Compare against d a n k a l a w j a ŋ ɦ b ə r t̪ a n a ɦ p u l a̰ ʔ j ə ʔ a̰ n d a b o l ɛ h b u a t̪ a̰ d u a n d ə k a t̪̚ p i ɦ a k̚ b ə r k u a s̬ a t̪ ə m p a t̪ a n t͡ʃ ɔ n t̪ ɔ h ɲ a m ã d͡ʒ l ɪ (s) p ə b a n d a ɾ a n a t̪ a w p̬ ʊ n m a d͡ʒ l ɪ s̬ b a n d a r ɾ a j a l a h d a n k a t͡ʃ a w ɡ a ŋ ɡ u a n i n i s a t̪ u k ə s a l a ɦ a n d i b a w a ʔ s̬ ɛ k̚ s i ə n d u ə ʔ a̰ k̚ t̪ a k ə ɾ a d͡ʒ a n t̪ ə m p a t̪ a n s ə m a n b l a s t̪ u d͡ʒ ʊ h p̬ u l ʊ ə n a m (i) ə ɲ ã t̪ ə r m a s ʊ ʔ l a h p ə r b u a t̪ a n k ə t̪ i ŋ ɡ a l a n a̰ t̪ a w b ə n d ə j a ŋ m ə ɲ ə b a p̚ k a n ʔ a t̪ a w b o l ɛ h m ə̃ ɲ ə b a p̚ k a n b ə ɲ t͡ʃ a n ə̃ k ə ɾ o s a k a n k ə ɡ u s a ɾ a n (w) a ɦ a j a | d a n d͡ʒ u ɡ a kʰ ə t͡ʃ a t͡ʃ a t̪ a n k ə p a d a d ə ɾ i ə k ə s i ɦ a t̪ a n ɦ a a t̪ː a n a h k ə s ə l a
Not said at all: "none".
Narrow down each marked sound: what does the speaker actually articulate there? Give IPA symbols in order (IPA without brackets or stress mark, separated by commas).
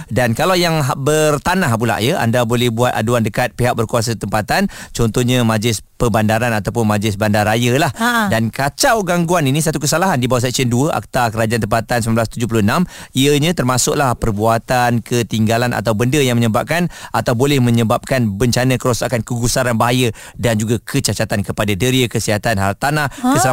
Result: s, i, b